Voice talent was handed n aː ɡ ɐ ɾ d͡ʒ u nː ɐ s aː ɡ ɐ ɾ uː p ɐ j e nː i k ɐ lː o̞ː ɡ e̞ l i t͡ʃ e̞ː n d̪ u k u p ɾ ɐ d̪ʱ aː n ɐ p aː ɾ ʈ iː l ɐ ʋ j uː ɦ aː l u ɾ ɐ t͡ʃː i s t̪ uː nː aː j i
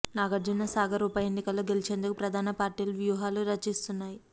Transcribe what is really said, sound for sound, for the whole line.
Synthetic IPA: n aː ɡ ɐ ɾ d͡ʒ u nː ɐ s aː ɡ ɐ ɾ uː p ɐ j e nː i k ɐ lː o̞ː ɡ e̞ l i t͡ʃ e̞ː n d̪ u k u p ɾ ɐ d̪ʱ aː n ɐ p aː ɾ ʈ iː l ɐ ʋ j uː ɦ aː l u ɾ ɐ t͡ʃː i s t̪ u nː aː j i